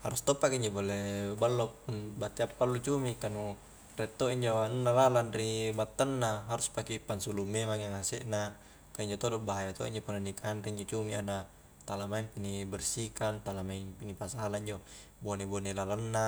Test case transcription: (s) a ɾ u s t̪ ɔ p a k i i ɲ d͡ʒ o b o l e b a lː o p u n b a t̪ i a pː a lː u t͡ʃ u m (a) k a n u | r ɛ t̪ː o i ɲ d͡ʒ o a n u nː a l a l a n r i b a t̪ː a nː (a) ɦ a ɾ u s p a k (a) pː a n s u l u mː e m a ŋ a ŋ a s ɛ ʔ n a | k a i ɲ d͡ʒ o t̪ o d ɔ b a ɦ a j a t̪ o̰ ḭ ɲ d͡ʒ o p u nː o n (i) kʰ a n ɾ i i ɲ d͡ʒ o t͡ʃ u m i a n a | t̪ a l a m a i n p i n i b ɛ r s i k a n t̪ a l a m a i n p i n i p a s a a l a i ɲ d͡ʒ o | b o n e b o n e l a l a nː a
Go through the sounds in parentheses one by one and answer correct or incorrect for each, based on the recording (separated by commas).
incorrect, incorrect, correct, incorrect, correct